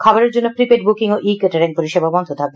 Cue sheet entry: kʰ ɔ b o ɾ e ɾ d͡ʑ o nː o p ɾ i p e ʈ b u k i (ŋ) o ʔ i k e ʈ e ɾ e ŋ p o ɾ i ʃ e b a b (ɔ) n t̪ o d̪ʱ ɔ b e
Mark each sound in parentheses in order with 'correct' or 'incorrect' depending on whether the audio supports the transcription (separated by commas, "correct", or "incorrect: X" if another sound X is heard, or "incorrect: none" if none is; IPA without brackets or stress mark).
correct, correct